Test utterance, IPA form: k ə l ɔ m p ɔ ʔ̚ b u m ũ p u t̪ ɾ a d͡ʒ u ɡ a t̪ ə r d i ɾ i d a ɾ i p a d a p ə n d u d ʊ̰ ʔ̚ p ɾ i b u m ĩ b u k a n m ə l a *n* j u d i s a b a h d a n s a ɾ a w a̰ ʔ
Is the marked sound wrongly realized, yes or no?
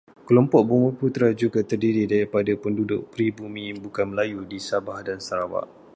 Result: yes